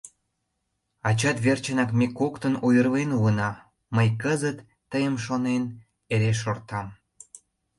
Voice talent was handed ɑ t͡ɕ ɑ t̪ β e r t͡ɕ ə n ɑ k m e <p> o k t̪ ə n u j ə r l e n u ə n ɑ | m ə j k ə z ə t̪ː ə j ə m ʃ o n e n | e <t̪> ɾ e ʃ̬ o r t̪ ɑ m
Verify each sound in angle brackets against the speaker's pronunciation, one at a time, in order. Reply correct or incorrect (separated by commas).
incorrect, incorrect